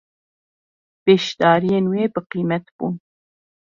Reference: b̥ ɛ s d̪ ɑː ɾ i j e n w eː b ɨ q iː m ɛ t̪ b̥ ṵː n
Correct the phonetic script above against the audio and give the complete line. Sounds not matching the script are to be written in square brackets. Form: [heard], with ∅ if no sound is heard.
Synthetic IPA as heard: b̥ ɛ [ʃ] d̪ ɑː ɾ i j e n w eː b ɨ q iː m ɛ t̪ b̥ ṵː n